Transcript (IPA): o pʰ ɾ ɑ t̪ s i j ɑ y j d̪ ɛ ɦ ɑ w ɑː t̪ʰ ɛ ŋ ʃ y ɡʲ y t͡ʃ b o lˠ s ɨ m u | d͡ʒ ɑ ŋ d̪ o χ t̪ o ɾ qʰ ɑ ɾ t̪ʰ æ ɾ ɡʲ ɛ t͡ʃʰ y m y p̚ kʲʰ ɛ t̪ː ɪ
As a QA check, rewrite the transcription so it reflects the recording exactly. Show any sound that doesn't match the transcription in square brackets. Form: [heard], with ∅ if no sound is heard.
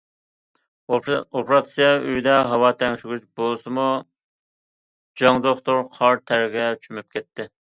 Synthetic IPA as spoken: o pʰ ɾ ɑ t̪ s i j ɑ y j d̪ ɛ ɦ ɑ w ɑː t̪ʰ ɛ ŋ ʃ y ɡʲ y t͡ʃ b o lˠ s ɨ m u | d͡ʒ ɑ ŋ d̪ o χ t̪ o ɾ qʰ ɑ ɾ t̪ʰ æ ɾ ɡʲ ɛ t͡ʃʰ y m y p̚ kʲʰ ɛ t̪ː ɪ